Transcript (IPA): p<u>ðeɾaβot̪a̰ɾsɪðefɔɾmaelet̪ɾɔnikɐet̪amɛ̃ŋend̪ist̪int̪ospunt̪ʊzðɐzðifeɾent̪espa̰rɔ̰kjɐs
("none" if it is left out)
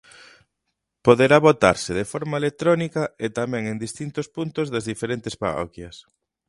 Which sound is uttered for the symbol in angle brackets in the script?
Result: o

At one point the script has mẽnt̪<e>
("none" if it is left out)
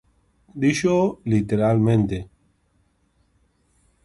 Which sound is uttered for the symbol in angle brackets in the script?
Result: e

